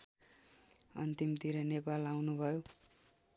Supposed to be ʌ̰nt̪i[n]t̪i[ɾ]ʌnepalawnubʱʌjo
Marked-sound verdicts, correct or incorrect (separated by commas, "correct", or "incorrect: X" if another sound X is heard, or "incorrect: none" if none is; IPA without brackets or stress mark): incorrect: m, correct